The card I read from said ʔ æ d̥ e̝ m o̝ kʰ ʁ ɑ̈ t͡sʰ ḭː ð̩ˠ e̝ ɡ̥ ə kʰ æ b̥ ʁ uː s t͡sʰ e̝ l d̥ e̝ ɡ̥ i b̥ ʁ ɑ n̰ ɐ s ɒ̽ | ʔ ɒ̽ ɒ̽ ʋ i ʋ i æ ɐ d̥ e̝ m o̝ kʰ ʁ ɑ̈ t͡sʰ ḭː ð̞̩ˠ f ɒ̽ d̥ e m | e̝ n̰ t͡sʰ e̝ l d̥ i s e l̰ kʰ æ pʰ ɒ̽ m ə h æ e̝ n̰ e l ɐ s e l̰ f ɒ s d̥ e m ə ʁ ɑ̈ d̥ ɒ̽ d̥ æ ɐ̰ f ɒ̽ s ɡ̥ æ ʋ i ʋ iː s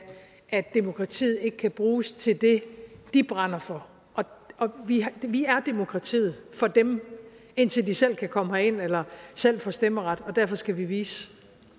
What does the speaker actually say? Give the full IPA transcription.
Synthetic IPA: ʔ æ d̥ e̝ m o̝ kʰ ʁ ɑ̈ t͡sʰ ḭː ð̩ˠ e̝ ɡ̥ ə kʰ æ b̥ ʁ uː s t͡sʰ e̝ l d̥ e̝ d̥ i b̥ ʁ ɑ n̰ ɐ f ɒ̽ | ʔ ɒ̽ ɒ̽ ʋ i ʋ i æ ɐ d̥ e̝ m o̝ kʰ ʁ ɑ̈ t͡sʰ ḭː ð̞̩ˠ f ɒ̽ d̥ e m | e̝ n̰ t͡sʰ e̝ l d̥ i s e l̰ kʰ æ kʰ ɒ̽ m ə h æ e̝ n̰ e l ɐ s e l̰ f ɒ s d̥ e m ə ʁ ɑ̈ d̥ ɒ̽ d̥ æ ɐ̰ f ɒ̽ s ɡ̥ æ ʋ i ʋ iː s